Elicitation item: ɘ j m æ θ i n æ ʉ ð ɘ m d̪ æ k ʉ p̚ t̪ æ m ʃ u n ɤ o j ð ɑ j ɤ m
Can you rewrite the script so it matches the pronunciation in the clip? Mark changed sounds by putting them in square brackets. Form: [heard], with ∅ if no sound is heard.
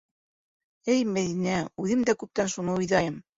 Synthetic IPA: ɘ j m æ [ð] i n æ ʉ ð ɘ m d̪ æ k ʉ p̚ t̪ æ [n] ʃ u n ɤ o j ð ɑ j ɤ m